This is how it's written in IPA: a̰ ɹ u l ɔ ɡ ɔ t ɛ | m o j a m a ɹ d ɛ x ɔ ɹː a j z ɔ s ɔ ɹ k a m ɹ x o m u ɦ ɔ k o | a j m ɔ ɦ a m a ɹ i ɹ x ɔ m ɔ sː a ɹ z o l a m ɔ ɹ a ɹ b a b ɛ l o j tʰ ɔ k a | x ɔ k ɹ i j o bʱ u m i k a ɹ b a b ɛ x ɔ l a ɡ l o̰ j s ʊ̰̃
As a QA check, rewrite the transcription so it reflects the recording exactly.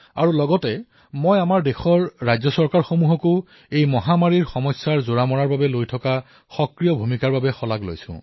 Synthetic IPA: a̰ ɹ u l ɔ ɡ ɔ t ɛ | m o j a m a ɹ d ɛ x ɔ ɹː a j z ɔ s ɔ ɹ k a ɹ x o m u ɦ ɔ k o | e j m ɔ ɦ a m a ɹ i ɹ x ɔ m ɔ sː a ɹ z o ɹ a m ɔ ɹ a ɹ b a b ɛ l o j tʰ ɔ k a | x ɔ k ɹ i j ɔ bʱ u m i k a ɹ b a b ɛ x ɔ l a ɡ l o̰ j s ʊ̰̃